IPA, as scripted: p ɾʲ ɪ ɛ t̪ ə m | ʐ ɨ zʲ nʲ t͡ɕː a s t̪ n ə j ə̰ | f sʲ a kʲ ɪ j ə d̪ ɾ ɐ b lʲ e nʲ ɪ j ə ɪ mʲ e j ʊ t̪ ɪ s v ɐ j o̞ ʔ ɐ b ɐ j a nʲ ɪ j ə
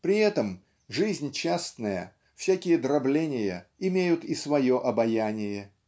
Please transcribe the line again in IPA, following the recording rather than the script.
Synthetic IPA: p ɾʲ ɪ ɛ t̪ ə m | ʐ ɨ zʲ nʲ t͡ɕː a s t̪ n ə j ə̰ | f sʲ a kʲ ɪ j ə d̪ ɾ ɐ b lʲ e nʲ ɪ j ə ɪ mʲ e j ʊ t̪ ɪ s v ɐ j o̞ ʔ ɐ b ɐ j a nʲ ɪ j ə